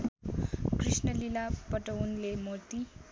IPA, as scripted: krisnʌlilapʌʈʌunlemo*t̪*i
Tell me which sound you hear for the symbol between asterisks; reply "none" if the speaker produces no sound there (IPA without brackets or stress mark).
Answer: t̪